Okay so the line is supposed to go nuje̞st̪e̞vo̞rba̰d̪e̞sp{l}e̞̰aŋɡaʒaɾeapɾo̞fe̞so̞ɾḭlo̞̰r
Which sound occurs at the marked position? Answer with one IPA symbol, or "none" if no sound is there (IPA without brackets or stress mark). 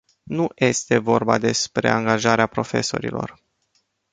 ɾ